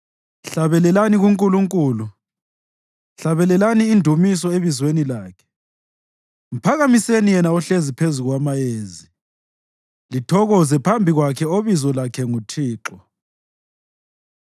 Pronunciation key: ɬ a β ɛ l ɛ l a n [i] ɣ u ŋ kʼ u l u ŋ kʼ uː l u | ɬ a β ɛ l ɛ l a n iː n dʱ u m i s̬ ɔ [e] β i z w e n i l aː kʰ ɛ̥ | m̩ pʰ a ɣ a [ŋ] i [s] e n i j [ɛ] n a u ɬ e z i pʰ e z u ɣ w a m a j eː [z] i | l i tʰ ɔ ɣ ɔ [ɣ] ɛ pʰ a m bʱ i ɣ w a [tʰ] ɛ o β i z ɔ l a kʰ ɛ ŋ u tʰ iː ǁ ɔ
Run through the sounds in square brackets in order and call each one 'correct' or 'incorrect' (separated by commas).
correct, correct, incorrect, correct, correct, correct, incorrect, incorrect